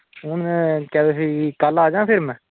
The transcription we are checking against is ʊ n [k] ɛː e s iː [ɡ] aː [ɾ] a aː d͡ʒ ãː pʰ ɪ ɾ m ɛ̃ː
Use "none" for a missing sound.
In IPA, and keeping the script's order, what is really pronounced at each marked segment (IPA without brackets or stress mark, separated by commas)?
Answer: k, k, l